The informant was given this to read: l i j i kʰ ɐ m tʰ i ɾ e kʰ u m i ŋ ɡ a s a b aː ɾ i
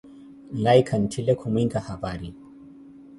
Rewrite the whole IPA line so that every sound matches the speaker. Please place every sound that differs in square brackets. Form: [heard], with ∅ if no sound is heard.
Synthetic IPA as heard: l [a] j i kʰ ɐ [n] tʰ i [l] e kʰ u m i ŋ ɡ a [h] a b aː ɾ i